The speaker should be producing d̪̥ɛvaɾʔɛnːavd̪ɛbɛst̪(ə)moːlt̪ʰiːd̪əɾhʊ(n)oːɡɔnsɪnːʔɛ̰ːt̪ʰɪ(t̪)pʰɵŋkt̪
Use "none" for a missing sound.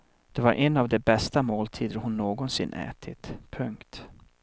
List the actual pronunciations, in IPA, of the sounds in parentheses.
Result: a, nː, t̪

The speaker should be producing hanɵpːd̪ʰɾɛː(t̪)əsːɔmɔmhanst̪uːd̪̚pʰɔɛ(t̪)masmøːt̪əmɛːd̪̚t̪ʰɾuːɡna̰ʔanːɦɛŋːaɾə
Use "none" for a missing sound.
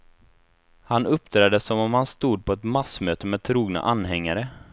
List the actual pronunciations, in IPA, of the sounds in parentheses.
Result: d̪, t̪

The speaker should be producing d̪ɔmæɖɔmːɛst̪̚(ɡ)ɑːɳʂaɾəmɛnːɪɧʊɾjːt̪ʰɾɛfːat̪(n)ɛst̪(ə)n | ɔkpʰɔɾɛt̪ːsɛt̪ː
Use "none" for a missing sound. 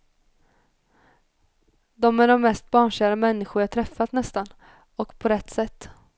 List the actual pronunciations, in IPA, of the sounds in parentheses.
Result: b, n, a

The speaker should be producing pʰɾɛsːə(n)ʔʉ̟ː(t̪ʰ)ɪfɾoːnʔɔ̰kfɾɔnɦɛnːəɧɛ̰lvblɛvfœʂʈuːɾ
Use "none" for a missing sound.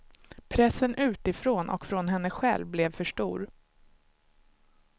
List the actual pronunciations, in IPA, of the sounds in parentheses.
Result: n, t̪

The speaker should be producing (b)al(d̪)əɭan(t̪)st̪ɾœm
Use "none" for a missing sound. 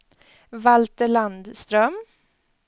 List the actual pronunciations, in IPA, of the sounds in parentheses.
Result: v, t̪, d̪

